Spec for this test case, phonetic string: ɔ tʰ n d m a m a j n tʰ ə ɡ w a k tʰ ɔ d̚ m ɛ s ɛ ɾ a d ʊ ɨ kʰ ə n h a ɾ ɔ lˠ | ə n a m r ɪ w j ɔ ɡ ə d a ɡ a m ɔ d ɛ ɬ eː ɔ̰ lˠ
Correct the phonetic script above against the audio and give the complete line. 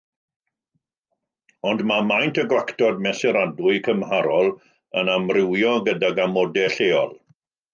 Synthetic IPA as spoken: ɔ n d m a m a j n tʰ ə ɡ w a k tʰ ɔ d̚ m ɛ s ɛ ɾ a d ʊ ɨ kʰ ə m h a ɾ ɔ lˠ | ə n a m r ɪ w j ɔ ɡ ə d a ɡ a m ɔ d ɛ ɬ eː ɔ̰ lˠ